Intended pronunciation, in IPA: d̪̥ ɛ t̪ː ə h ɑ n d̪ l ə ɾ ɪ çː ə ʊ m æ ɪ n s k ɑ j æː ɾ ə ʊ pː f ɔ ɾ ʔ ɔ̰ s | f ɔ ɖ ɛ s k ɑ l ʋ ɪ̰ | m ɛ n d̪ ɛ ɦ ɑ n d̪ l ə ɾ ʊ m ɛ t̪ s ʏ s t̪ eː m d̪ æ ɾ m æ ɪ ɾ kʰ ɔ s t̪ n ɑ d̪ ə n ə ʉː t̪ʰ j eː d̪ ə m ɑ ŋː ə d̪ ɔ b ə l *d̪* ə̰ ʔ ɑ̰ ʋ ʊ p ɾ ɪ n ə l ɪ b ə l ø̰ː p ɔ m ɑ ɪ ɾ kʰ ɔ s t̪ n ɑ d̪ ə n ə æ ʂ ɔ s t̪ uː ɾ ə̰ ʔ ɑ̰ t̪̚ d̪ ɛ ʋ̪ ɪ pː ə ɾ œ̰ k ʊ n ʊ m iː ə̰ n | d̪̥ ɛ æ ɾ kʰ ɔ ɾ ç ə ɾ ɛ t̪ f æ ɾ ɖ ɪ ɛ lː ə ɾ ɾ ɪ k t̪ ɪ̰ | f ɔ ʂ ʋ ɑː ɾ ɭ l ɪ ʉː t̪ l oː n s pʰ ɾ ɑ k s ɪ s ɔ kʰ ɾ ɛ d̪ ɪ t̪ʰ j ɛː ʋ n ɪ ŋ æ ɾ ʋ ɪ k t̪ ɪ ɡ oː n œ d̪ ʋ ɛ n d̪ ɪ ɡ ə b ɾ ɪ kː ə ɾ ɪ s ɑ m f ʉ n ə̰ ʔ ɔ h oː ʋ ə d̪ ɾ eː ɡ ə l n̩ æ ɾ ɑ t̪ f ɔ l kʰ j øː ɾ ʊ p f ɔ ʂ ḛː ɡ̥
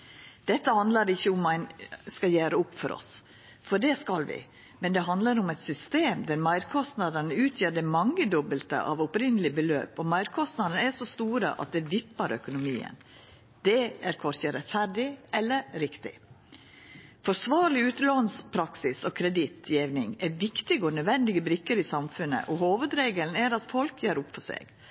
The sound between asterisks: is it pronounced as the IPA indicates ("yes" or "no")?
no